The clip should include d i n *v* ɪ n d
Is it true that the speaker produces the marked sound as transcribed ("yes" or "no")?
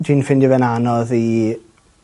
no